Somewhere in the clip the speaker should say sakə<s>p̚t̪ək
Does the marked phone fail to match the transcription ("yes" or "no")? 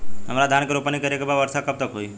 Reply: yes